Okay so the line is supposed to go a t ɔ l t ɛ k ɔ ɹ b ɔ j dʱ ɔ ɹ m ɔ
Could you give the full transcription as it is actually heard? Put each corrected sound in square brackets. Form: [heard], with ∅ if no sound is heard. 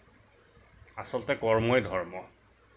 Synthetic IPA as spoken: a [s] ɔ l t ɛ k ɔ ɹ [m] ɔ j dʱ ɔ ɹ m ɔ